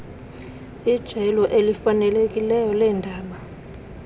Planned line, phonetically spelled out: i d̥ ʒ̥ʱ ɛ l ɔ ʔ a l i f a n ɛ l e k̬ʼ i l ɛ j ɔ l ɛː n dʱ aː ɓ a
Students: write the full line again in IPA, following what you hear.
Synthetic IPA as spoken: i d̥ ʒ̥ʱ ɛ l ɔ ʔ e l i f a n ɛ l e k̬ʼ i l ɛ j ɔ l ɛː n dʱ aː ɓ a

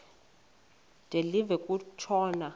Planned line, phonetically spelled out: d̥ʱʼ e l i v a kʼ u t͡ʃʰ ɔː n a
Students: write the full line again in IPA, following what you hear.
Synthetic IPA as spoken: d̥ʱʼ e l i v ɛ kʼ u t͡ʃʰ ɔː n a

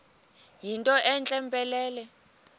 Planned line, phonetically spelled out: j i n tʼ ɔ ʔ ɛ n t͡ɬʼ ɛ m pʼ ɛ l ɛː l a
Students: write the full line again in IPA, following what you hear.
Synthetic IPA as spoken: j i n tʼ ɔ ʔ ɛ n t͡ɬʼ ɛ m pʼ ɛ l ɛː l ɛ

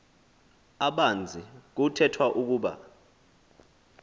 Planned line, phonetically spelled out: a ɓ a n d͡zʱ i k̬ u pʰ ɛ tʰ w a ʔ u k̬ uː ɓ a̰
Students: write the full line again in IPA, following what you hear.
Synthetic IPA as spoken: a ɓ a n d͡zʱ i k̬ u tʰ ɛ tʰ w a ʔ u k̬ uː ɓ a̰

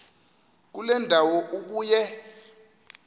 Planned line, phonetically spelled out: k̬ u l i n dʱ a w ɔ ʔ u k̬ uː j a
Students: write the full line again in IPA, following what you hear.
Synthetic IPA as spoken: k̬ u l ɛ n dʱ a w ɔ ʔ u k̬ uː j ɛ

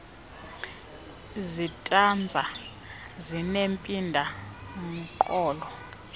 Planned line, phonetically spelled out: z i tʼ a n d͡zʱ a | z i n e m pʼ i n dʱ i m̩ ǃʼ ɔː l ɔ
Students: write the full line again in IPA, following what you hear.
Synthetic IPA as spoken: z i tʼ a n d͡zʱ a | z i n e m pʼ i n dʱ a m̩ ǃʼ ɔː l ɔ

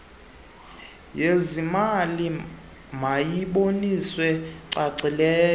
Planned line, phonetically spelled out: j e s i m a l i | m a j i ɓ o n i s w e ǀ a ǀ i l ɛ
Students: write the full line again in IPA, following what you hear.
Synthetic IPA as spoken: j e z i m a l i | m a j i ɓ o n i s w ɛ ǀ a ǀ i l ɛː

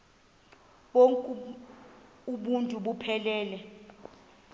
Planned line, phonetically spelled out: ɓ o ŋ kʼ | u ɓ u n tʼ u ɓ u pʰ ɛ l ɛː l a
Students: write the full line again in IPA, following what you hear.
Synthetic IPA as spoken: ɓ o ŋ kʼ | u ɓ u n tʼ u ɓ u pʰ ɛ l ɛː l ɛ

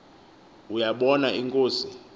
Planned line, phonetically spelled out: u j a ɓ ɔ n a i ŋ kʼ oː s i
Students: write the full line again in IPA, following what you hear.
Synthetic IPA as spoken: u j a ɓ ɔ n a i ŋ kʼ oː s i

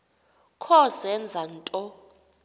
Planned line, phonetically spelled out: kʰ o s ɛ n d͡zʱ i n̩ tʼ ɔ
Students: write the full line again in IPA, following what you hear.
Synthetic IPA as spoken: kʰ ɔ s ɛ n d͡zʱ a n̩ tʼ ɔ

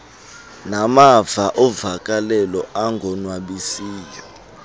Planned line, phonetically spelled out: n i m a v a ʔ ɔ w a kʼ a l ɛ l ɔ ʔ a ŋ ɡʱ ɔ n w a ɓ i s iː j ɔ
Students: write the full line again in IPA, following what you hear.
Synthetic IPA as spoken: n a m a v a ʔ ɔ v a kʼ a l ɛ l ɔ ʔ a ŋ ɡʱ ɔ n w a ɓ i s iː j ɔ

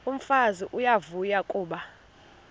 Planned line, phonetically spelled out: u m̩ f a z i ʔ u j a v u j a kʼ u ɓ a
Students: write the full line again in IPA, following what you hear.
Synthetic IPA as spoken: u m̩ f a z i ʔ u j a v u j a kʼ uː ɓ a

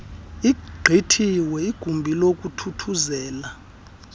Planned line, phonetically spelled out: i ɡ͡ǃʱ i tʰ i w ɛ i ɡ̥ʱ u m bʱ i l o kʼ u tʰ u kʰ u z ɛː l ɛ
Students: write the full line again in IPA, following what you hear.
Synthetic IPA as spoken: i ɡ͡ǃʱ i tʰ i w ɛ i ɡ̥ʱ u m bʱ i l o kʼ u tʰ u tʰ u z ɛː l a

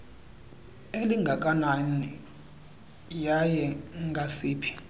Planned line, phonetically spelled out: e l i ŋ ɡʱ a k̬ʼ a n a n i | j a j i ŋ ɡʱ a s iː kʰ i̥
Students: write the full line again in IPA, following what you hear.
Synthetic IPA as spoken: e l i ŋ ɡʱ a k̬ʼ a n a n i | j a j ɛ ŋ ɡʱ a s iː pʰ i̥

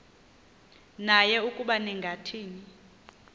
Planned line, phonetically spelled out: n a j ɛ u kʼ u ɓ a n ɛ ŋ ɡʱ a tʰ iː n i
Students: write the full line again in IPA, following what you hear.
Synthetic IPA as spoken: n a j ɛ u kʼ u ɓ a n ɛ ŋ ɡʱ a tʰ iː n i

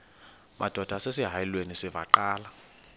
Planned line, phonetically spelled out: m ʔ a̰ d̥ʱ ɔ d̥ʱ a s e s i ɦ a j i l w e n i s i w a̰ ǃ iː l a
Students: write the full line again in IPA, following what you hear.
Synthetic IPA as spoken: m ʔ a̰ d̥ʱ ɔ d̥ʱ a s e s i ɦ a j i l w e n i s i v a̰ ǃ aː l a

